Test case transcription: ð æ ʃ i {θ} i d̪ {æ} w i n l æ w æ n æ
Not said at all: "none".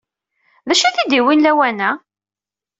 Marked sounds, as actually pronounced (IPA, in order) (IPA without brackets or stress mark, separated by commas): θ, i